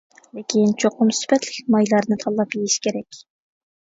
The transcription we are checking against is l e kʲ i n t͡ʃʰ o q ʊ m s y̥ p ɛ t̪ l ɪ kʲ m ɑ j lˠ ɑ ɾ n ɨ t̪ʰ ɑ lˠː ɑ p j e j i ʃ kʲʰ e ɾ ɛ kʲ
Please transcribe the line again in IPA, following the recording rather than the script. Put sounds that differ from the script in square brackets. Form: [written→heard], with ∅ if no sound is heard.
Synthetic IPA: l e kʲ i n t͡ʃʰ o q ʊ m s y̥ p ɛ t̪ l ɪ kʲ m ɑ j lˠ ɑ ɾ n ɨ t̪ʰ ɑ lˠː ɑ p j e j i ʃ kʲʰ e ɾ ɛ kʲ